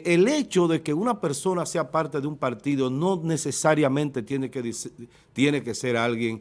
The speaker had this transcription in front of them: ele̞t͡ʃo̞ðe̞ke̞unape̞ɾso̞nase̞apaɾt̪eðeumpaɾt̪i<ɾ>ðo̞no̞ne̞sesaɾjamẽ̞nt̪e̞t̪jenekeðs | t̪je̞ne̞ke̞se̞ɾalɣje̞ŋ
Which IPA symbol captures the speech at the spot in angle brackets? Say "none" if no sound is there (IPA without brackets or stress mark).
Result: none